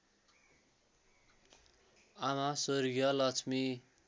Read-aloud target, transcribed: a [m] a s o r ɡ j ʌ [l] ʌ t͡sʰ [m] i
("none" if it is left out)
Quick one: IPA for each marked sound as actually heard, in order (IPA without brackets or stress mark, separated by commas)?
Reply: m, l, m